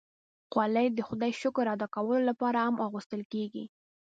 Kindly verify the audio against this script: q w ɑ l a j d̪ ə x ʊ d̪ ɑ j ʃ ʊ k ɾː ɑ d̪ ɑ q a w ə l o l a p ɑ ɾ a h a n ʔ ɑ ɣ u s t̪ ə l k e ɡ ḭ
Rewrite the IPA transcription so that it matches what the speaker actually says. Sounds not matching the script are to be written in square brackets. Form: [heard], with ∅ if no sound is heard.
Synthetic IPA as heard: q w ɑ l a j d̪ ə x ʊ d̪ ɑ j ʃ ʊ k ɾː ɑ d̪ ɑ [k] a w ə l o l a p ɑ ɾ a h a [m] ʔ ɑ ɣ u s t̪ ə l k e ɡ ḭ